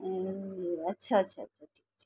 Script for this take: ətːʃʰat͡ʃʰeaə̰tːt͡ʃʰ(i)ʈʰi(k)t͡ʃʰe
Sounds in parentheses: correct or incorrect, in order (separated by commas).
incorrect, correct